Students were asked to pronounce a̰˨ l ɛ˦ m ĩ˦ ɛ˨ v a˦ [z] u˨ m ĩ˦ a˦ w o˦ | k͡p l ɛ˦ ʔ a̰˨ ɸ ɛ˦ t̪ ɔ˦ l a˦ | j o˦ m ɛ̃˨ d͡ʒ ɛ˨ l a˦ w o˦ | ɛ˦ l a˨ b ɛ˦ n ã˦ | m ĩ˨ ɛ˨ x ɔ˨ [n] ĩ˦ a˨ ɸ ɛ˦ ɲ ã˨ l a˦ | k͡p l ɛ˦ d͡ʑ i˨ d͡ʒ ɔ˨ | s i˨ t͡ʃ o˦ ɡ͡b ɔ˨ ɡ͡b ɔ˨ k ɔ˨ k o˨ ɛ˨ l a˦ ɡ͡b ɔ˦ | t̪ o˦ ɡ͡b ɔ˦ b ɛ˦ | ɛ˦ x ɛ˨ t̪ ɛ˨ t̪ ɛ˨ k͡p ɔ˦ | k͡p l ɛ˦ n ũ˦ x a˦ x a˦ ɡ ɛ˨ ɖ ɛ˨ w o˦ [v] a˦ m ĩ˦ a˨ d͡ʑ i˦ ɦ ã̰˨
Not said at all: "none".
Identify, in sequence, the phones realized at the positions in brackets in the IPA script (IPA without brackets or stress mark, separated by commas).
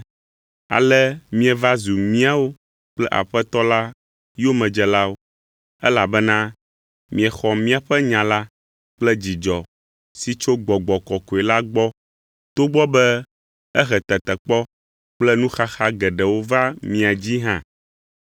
z, m, v